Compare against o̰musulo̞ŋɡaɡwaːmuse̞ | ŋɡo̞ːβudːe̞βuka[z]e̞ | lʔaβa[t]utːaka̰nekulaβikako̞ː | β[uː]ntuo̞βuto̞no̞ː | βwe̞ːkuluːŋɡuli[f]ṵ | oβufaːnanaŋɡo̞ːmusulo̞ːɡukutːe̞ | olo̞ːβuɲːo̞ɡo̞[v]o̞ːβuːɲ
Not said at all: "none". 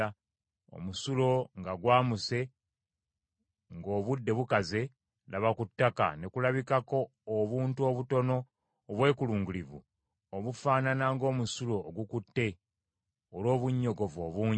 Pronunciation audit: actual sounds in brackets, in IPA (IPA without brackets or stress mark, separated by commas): z, k, uː, v, v